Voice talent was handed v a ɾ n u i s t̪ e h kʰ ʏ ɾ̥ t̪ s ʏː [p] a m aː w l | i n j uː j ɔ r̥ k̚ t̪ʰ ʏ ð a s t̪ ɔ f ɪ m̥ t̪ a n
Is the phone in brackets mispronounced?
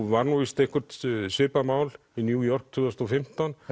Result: no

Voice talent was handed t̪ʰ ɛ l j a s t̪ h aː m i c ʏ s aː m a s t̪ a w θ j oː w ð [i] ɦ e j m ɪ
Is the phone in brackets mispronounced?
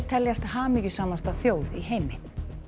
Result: no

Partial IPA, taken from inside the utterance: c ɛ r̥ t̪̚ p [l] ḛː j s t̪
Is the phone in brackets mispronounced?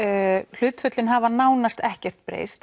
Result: yes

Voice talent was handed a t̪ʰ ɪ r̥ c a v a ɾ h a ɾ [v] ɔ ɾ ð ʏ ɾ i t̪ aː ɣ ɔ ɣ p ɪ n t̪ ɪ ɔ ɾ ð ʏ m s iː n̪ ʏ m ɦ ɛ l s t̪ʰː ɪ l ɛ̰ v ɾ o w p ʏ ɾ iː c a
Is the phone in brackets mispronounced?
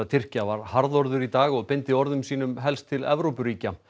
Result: yes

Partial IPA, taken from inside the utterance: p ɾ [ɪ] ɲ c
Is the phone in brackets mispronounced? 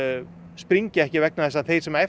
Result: yes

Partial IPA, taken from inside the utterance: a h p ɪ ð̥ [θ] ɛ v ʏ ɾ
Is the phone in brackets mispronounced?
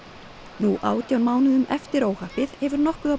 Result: yes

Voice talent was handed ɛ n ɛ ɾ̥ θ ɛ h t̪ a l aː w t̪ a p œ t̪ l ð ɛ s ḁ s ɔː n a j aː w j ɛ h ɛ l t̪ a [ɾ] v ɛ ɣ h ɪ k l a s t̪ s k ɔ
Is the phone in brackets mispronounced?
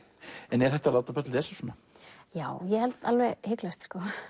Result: yes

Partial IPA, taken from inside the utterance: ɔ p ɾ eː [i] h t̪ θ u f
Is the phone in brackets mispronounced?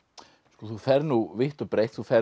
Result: yes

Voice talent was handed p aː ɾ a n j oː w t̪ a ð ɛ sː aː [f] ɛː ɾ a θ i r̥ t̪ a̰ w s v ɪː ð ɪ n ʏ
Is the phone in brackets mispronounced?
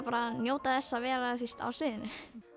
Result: yes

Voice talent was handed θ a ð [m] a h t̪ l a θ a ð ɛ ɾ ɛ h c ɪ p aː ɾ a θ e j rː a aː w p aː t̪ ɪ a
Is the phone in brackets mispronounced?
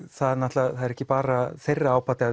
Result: yes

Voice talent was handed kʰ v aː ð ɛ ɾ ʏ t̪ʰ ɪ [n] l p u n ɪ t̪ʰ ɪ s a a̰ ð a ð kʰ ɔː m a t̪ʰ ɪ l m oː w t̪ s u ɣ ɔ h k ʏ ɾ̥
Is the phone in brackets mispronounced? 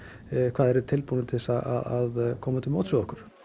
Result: yes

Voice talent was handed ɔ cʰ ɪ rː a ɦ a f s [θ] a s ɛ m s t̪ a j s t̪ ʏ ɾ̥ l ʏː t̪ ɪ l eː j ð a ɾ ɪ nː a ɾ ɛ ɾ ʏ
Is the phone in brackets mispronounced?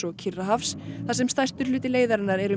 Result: no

